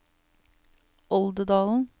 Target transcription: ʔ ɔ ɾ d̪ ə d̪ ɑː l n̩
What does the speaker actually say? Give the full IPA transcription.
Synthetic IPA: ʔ ɔ l d̪ ə d̪ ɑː l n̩